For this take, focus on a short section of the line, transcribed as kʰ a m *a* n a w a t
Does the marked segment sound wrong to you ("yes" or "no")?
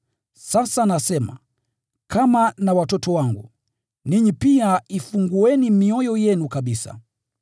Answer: no